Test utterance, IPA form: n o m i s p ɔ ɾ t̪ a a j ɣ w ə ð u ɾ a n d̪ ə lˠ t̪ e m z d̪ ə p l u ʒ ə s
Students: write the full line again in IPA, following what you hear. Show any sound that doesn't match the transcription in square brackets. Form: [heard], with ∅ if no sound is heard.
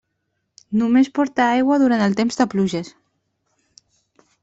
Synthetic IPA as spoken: n [u] m [e] s p ɔ ɾ t̪ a a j ɣ w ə ð u ɾ a n [t̪] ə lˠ t̪ e m z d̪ ə p l u ʒ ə s